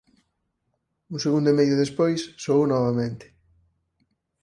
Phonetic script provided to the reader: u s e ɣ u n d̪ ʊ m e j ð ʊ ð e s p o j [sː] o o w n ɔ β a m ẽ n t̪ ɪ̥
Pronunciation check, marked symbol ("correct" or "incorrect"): correct